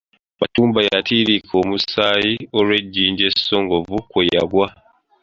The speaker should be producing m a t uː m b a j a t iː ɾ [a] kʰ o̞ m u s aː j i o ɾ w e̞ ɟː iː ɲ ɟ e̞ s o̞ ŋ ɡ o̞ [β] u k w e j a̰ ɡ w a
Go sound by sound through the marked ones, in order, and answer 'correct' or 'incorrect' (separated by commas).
incorrect, incorrect